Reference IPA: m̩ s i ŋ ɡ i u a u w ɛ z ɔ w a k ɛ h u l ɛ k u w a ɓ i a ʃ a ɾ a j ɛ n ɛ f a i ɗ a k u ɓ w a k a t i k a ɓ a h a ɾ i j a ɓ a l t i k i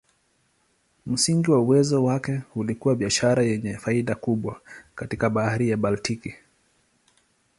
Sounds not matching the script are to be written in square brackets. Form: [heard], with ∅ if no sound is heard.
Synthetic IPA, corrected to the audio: m̩ s i ŋ ɡ i [w] a u w ɛ z ɔ w a k ɛ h u l [i] k u w a ɓ i a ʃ a ɾ a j ɛ [ɲ] ɛ f a i ɗ a k u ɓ w a k a t i k a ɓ a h a ɾ i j a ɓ a l t i k i